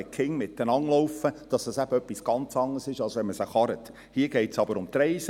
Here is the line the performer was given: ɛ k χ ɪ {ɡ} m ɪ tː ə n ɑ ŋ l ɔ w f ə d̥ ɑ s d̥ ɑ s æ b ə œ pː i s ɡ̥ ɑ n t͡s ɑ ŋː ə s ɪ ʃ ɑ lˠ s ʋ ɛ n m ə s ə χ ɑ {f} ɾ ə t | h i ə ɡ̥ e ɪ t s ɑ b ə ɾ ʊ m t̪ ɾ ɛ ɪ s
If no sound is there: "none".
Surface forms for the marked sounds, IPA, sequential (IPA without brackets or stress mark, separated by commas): ŋ, none